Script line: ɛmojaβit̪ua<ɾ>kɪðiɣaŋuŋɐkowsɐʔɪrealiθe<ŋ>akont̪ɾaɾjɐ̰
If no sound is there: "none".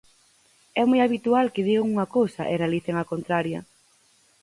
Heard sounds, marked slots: l, ŋ

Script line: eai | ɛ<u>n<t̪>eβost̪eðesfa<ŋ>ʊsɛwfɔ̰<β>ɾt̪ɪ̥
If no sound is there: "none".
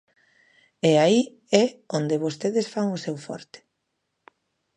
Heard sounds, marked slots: o, d̪, ŋ, none

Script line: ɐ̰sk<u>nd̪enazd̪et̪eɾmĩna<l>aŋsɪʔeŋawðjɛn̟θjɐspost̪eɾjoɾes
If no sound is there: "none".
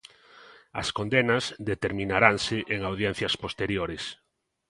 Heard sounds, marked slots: o, ɾ

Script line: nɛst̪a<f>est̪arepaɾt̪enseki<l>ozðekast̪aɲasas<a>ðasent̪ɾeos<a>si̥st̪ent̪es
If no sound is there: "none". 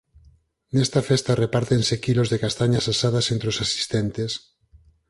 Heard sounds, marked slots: f, l, a, a

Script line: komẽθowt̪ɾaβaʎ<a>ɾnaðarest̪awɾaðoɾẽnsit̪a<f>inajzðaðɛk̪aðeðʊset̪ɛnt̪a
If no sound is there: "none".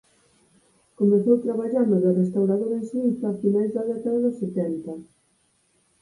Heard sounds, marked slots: a, f

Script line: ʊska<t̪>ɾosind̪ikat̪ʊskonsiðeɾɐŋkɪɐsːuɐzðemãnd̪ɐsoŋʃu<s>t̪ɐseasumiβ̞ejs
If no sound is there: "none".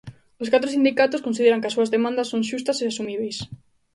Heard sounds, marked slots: t̪, s

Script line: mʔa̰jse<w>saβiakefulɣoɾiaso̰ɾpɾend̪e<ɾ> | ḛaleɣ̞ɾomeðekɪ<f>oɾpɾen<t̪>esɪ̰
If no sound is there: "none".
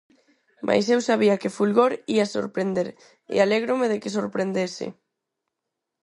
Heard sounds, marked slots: w, ɾ, s, d̪

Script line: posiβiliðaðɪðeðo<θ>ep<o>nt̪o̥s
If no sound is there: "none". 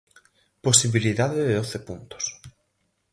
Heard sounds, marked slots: θ, u

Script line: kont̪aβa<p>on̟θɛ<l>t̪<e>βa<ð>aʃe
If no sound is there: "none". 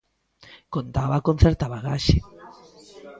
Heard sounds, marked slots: k, ɾ, a, ɣ

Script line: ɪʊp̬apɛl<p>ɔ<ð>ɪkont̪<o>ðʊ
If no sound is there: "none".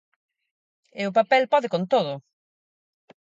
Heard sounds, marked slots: p, ð, o

